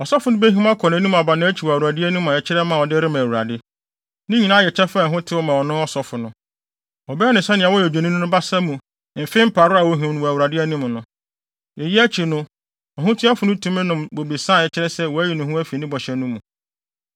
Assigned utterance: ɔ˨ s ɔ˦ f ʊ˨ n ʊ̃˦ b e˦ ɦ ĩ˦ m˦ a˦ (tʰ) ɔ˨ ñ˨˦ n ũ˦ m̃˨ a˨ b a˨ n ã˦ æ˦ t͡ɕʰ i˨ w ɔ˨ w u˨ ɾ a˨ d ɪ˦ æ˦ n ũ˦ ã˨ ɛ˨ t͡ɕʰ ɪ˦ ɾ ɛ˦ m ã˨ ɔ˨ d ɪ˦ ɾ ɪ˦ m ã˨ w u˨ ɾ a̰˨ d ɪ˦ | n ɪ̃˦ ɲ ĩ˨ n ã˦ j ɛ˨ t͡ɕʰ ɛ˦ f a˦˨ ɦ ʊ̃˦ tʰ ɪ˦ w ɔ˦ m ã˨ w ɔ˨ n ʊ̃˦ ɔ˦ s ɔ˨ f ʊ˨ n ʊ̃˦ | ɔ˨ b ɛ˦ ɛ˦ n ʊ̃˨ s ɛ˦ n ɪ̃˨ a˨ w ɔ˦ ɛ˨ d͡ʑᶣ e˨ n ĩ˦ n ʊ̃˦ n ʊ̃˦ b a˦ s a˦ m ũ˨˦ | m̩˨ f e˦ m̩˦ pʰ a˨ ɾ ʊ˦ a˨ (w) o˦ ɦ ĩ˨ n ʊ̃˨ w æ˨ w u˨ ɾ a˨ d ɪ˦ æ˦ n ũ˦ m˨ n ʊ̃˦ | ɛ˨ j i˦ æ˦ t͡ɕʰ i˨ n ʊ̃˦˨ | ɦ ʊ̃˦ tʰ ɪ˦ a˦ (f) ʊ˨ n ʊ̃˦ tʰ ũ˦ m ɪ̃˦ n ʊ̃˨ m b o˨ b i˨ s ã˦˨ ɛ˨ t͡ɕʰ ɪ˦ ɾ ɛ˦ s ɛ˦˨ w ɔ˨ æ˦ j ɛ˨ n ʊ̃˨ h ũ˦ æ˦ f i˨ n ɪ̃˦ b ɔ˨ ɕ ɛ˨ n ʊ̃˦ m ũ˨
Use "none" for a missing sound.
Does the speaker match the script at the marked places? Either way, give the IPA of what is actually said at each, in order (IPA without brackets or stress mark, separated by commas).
kʰ, w, f